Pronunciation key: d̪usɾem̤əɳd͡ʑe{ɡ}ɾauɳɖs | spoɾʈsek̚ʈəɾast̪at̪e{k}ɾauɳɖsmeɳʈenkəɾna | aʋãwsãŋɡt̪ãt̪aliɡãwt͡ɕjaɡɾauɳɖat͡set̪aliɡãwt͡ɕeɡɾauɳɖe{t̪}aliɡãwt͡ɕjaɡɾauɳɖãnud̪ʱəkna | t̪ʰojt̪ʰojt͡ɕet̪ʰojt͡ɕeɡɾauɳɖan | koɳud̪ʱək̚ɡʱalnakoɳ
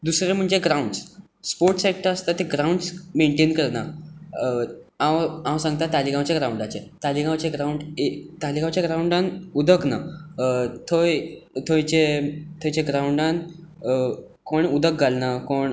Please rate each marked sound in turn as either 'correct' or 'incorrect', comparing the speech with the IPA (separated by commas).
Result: correct, incorrect, correct